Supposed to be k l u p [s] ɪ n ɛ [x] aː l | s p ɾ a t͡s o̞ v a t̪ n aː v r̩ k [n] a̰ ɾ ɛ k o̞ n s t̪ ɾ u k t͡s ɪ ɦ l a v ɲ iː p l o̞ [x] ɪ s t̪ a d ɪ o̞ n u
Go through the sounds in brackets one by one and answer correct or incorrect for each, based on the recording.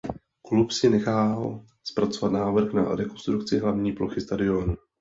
correct, correct, correct, correct

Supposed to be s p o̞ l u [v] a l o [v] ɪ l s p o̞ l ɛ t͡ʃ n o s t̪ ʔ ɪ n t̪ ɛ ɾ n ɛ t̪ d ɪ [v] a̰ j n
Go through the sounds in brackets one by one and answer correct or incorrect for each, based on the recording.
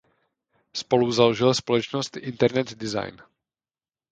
incorrect: z, incorrect: ʒ, incorrect: z

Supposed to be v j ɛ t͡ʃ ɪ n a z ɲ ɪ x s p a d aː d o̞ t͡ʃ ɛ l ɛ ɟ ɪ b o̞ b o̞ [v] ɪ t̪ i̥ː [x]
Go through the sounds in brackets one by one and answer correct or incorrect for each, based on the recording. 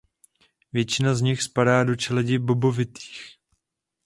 correct, correct

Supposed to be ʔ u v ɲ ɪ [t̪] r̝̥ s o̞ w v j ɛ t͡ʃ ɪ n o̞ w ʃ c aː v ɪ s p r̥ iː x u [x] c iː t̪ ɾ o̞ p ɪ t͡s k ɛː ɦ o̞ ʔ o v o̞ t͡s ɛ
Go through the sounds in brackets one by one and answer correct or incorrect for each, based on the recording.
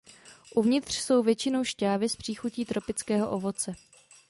correct, incorrect: none

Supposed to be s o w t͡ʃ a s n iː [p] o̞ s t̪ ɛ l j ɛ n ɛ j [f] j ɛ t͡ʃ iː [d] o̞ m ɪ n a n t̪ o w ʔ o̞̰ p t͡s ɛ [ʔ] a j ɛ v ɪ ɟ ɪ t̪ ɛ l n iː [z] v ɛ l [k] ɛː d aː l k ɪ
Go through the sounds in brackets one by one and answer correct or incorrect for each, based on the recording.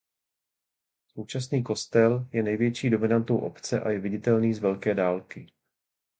incorrect: k, incorrect: v, correct, correct, correct, correct

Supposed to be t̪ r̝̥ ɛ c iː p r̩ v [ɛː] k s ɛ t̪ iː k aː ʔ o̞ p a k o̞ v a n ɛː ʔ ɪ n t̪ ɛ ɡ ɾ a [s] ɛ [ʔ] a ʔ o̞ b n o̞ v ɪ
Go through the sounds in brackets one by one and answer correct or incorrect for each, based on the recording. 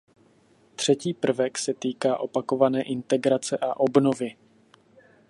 incorrect: ɛ, incorrect: t͡s, correct

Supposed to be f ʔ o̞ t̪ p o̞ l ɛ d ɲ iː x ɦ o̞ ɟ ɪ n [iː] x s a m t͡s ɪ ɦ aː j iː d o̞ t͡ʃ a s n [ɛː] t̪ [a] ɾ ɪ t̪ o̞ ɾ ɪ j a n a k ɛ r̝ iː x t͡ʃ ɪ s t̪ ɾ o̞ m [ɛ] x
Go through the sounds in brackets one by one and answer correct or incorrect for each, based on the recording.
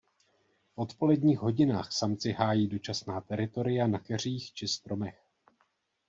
incorrect: aː, incorrect: aː, incorrect: ɛ, correct

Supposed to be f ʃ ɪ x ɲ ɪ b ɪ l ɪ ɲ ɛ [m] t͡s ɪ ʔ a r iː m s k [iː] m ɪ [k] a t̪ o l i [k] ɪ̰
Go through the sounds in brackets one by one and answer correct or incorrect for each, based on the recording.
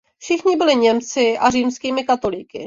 correct, correct, correct, correct

